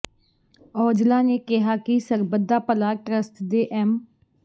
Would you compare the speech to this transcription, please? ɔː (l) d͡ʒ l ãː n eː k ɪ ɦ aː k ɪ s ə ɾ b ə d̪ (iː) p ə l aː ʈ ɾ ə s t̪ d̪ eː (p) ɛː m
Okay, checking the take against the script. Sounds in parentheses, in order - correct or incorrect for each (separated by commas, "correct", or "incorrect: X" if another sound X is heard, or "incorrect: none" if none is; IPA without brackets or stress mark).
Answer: incorrect: none, incorrect: aː, incorrect: ʔ